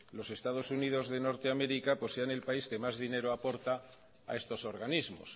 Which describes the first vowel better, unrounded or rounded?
rounded